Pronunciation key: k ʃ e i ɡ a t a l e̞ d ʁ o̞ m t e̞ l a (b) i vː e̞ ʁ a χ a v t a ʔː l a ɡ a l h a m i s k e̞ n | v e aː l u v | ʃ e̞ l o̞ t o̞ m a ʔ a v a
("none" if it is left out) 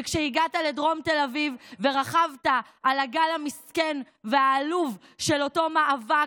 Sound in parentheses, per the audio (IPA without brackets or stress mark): v